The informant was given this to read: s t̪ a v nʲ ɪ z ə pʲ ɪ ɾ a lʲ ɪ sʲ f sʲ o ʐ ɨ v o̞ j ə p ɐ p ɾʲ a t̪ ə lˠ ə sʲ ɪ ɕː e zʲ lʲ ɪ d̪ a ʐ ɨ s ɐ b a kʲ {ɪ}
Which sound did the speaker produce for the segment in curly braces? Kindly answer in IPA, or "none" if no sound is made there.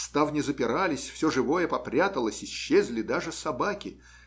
ɪ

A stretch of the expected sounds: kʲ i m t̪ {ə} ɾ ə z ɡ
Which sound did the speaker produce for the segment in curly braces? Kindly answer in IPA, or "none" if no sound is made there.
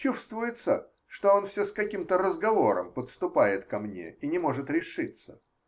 ə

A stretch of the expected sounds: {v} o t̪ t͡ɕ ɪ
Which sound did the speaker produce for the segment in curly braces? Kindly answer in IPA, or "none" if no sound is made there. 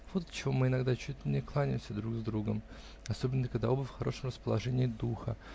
v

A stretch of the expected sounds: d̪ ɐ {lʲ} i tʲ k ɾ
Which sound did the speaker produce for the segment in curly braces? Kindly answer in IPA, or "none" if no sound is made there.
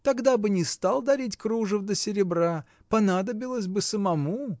ɾʲ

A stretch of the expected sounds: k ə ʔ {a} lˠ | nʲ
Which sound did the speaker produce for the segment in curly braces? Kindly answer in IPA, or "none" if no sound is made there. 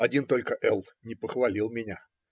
ɛ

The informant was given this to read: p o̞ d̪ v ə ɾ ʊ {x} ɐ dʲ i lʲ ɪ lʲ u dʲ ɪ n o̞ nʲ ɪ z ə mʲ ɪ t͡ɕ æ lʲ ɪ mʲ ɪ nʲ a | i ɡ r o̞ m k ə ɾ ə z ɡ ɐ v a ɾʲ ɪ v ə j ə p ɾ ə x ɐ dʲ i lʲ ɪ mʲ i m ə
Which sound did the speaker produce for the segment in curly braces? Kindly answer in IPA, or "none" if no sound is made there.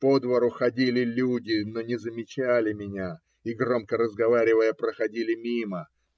x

